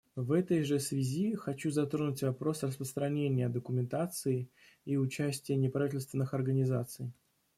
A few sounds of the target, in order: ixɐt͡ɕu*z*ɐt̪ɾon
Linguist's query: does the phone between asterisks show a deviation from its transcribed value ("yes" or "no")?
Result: no